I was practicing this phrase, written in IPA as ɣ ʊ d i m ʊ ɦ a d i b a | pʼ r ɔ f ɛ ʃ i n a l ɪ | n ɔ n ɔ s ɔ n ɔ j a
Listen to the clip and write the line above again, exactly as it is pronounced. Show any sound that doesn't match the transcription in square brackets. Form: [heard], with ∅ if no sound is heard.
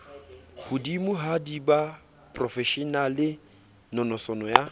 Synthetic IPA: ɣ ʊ d i m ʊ ɦ a d i b a | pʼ r ɔ f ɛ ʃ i n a l ɪ | n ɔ n ɔ s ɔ n ɔ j a